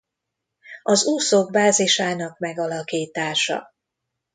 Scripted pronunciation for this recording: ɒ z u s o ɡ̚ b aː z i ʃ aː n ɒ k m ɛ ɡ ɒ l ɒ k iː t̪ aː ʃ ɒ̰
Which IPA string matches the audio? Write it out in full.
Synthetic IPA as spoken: ɒ z uː s o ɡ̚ b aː z i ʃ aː n ɒ k m ɛ ɡ ɒ l ɒ k iː t̪ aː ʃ ɒ̰

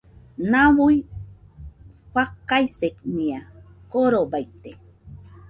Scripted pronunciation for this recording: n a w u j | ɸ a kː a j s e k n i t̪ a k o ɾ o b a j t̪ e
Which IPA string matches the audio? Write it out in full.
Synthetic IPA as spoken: n a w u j | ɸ a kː a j s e k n i a k o ɾ o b a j t̪ e

